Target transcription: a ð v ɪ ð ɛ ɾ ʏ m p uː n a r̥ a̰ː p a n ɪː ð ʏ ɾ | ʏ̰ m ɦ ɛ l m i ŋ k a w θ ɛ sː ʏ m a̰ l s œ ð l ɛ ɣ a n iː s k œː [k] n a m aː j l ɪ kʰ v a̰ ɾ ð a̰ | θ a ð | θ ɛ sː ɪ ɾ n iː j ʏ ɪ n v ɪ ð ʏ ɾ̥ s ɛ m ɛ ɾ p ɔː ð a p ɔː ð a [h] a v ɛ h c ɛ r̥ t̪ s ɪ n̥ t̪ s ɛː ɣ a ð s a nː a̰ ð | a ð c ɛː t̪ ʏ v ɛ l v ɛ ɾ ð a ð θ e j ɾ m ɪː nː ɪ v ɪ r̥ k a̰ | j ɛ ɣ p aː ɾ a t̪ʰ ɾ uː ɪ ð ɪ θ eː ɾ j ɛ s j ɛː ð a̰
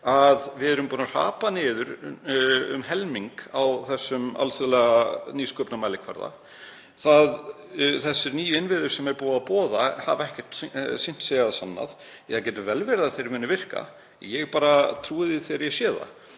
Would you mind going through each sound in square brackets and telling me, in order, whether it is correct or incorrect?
incorrect, correct

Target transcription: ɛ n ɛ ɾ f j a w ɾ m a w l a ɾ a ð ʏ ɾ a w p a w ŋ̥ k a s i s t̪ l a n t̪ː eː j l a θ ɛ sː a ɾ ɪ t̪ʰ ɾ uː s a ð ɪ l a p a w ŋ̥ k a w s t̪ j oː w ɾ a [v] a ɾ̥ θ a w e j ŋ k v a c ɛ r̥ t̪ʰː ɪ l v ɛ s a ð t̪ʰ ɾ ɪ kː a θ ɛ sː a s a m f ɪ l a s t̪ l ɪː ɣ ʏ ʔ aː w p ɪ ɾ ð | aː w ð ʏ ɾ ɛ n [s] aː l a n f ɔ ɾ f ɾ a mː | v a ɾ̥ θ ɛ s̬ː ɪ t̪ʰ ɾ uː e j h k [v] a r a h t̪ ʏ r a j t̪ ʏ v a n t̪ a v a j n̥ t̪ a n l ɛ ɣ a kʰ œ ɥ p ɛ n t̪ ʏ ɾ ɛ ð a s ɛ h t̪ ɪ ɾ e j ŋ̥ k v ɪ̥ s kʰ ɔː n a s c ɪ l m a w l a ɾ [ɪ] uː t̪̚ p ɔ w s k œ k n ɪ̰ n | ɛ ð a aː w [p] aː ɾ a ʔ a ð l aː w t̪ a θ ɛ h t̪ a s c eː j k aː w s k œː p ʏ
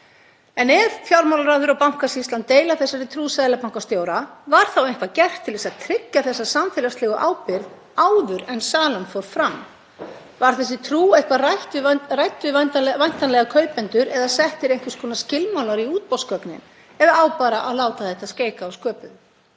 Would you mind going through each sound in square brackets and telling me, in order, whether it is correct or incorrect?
correct, correct, correct, incorrect, correct

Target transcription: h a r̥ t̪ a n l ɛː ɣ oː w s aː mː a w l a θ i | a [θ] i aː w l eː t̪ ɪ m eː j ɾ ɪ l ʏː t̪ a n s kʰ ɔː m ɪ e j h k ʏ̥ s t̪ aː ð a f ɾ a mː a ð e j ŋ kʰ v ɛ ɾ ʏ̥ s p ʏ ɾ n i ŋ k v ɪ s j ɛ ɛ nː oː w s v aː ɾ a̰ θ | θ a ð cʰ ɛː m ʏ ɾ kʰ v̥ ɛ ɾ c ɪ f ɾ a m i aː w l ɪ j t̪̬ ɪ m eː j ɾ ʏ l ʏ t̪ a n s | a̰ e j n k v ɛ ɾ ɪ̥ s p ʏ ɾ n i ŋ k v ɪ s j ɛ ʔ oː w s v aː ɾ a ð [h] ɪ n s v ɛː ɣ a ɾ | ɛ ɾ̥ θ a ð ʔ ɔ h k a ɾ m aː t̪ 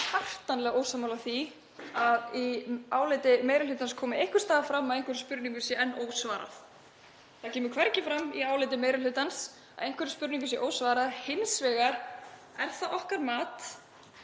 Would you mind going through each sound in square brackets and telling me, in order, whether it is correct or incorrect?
incorrect, correct

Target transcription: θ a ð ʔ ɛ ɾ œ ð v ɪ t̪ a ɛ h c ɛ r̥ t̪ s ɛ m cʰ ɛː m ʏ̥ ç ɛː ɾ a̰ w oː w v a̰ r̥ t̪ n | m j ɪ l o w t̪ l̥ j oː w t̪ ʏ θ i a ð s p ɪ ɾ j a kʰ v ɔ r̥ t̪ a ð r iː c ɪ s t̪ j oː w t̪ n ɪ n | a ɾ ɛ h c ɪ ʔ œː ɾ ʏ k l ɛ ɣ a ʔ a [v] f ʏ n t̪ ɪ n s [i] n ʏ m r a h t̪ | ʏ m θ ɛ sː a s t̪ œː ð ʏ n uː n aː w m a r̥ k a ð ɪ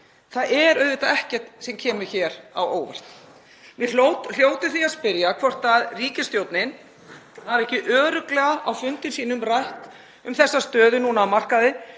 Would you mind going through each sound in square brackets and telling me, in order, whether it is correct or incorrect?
incorrect, incorrect

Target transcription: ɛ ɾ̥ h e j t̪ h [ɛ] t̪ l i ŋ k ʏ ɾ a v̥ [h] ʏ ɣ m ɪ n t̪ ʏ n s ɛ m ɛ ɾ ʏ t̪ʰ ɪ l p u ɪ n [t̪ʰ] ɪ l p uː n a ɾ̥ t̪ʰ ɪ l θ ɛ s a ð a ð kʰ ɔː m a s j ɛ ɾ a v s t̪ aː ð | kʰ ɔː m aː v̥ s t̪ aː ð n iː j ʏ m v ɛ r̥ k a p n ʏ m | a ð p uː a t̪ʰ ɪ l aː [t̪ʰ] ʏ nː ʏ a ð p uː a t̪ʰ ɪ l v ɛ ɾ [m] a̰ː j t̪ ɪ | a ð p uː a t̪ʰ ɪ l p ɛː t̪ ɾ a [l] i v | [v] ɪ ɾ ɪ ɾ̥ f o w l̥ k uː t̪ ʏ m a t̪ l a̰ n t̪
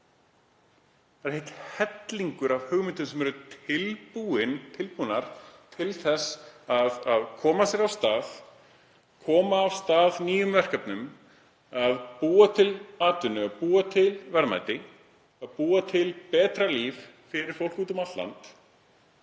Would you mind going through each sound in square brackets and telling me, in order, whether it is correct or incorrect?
correct, correct, correct, incorrect, correct, correct, incorrect

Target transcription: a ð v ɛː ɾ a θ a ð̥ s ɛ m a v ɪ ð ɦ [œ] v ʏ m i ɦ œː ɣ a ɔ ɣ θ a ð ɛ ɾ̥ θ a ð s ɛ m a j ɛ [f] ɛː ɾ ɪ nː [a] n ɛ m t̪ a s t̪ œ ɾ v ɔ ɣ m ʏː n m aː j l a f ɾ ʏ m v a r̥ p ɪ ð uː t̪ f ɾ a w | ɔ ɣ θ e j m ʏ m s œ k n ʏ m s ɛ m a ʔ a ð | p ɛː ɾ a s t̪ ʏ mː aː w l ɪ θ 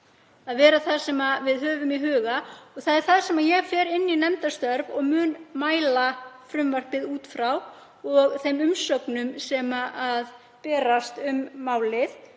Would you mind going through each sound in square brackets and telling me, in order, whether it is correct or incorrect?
incorrect, correct, incorrect

